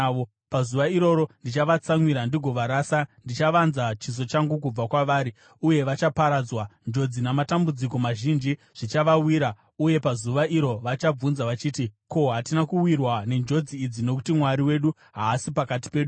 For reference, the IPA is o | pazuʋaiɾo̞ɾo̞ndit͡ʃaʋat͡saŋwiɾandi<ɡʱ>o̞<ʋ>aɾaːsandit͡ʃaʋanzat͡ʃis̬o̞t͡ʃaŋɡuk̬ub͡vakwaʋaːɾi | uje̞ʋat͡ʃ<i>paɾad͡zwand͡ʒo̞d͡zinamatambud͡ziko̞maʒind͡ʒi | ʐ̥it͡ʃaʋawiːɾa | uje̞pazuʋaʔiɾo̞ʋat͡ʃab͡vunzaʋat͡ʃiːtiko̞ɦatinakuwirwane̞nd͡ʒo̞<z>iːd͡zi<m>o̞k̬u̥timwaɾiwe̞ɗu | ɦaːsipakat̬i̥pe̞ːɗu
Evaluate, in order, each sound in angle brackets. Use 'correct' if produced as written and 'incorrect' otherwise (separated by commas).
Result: correct, correct, incorrect, incorrect, incorrect